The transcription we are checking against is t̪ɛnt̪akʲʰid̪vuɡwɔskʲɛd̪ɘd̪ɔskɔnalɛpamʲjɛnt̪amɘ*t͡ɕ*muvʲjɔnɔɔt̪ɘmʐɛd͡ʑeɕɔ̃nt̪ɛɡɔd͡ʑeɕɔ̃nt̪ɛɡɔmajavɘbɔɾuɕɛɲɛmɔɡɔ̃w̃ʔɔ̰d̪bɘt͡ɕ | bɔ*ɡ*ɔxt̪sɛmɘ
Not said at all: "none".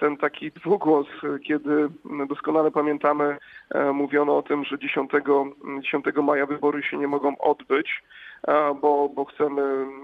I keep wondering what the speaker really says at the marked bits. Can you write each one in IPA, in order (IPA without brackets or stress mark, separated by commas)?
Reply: none, b